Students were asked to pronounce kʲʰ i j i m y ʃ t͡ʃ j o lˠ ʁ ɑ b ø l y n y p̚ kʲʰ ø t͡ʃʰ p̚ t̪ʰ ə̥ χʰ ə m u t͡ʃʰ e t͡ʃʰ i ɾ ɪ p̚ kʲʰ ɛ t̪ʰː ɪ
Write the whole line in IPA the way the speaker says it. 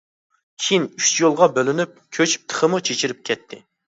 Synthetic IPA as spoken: kʲʰ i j i n y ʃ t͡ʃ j o lˠ ʁ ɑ b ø l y n y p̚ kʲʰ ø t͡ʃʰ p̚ t̪ʰ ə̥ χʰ ə m u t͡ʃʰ e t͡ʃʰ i ɾ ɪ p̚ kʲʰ ɛ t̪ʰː ɪ